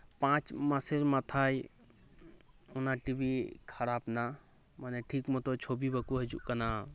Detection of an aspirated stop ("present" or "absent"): present